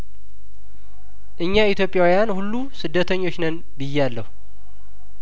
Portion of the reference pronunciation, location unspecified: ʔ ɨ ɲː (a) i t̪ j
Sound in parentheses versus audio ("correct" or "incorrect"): correct